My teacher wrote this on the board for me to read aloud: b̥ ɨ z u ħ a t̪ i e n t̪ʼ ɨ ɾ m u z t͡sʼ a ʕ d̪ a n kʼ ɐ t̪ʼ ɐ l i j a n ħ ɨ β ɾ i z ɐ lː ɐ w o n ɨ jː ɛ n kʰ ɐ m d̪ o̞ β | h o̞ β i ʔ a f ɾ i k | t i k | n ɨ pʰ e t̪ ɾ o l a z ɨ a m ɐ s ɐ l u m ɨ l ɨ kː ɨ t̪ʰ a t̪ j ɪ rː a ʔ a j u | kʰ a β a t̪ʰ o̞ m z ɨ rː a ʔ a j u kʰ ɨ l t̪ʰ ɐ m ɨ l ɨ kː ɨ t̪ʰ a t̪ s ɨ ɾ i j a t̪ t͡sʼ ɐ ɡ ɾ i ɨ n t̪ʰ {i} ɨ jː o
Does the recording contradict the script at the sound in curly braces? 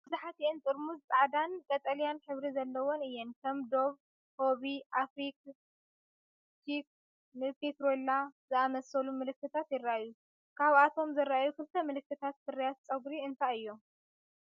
yes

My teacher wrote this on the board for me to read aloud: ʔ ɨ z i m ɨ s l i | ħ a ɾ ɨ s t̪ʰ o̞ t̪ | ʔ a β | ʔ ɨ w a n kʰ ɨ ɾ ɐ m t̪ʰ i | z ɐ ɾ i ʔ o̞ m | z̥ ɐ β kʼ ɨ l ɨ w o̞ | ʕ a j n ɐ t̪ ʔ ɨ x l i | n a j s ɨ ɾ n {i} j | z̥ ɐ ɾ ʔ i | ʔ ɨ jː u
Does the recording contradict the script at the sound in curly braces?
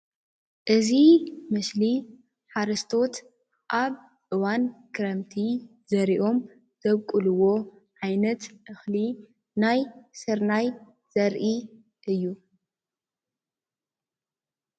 yes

